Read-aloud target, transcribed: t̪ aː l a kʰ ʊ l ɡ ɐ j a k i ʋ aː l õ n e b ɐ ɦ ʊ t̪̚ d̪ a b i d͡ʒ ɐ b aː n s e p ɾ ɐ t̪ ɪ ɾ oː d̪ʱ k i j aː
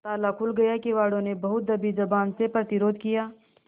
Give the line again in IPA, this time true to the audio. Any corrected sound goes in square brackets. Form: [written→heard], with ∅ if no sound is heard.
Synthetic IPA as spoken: t̪ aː l a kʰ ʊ l ɡ ɐ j a k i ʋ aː [l→ɽ] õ n e b ɐ ɦ ʊ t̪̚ d̪ [a→ɐ] b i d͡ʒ ɐ b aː n s e p ɾ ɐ t̪ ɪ ɾ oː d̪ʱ k i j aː